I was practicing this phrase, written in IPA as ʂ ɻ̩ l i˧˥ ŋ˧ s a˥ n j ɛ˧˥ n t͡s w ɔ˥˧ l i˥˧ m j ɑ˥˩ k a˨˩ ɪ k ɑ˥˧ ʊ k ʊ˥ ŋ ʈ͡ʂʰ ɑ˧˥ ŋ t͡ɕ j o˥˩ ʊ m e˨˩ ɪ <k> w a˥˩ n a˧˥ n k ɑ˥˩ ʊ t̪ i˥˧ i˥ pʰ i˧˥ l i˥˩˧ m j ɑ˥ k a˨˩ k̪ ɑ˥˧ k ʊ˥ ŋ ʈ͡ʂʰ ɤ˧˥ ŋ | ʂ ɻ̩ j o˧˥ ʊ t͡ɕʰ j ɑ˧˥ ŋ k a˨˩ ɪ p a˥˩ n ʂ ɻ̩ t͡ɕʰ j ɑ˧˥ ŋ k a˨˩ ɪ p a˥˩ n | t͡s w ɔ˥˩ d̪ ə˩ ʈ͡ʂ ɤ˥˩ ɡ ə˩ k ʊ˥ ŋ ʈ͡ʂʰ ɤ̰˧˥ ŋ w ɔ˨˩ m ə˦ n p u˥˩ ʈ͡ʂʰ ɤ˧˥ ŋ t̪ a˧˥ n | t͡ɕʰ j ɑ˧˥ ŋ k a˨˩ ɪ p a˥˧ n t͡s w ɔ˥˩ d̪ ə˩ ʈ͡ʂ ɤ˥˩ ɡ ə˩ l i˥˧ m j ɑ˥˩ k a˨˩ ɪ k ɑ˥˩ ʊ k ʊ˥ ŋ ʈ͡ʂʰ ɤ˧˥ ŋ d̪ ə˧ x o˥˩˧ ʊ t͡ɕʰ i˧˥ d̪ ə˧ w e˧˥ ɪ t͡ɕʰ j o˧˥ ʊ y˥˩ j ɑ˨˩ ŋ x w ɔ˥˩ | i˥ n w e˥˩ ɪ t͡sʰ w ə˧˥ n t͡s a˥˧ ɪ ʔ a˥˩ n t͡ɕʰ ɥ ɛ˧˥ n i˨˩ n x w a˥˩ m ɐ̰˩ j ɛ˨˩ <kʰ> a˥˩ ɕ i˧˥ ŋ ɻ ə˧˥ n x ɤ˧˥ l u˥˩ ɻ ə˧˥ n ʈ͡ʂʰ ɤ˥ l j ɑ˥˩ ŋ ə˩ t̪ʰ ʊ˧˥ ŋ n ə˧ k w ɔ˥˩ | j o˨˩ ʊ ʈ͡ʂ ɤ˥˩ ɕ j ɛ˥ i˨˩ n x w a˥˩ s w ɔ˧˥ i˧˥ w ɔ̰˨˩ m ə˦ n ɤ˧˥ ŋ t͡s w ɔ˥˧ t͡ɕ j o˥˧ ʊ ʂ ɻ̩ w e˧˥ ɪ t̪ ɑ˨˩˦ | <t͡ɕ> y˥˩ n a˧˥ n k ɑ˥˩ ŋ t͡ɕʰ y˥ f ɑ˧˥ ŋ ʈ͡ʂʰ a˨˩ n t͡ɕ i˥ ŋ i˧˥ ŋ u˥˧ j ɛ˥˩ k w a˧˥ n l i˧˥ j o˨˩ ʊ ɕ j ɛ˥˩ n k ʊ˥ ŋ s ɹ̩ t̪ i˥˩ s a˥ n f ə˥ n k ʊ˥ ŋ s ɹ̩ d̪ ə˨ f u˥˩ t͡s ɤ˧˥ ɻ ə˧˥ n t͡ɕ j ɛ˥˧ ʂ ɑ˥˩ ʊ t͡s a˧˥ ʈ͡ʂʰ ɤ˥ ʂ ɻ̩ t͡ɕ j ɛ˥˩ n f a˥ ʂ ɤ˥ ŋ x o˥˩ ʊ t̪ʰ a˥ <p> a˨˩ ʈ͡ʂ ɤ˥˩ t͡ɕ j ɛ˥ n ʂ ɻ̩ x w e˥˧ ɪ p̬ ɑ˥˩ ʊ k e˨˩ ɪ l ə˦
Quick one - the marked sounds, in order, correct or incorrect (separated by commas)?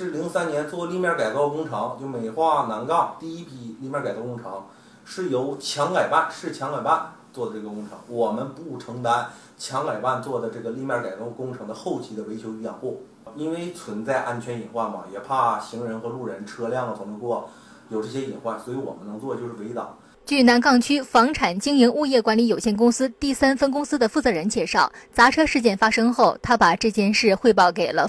incorrect, incorrect, correct, correct